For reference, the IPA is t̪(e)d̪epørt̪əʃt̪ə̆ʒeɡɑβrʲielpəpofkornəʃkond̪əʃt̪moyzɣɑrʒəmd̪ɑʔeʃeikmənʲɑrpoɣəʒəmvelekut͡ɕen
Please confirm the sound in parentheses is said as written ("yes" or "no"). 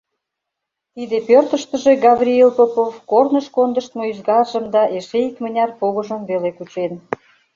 no